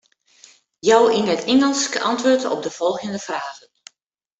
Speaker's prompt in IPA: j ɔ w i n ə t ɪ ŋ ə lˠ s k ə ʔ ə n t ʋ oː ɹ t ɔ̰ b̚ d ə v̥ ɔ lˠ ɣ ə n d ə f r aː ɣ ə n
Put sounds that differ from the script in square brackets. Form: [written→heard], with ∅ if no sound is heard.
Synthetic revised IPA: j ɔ w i n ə t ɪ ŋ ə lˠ s k ə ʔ [ə→ɑ] n t ʋ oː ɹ t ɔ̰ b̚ d ə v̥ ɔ lˠ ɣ ə n d ə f r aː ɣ ə n